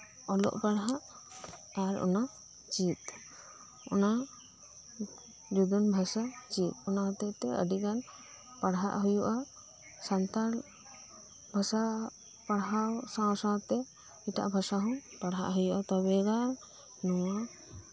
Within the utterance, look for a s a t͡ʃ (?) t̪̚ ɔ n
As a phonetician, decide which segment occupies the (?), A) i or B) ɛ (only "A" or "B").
A